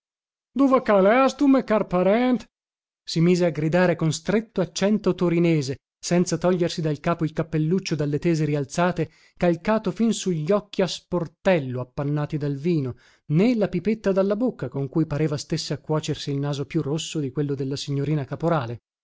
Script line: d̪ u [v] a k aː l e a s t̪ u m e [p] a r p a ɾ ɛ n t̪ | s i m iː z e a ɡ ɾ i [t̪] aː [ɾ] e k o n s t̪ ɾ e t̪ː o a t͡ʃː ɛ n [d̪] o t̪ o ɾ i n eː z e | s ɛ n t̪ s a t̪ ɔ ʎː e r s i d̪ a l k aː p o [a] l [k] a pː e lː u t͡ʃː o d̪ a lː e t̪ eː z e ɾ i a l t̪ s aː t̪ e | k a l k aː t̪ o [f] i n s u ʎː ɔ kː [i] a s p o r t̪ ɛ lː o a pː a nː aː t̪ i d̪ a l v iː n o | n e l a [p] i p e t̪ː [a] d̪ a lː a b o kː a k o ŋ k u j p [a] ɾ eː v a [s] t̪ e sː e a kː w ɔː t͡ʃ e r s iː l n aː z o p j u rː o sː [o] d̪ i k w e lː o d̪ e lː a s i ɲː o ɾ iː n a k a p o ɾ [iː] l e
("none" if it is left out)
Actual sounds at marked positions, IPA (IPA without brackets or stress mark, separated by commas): v, k, d̪, ɾ, t̪, i, k, f, i, p, a, a, s, o, aː